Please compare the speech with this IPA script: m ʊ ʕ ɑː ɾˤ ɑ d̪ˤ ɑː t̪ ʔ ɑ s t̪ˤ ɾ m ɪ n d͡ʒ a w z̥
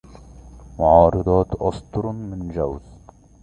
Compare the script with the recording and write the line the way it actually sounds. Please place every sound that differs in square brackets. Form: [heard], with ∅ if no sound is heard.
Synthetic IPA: m ʊ ʕ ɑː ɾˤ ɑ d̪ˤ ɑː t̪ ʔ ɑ s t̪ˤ ɾ m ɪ n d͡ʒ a w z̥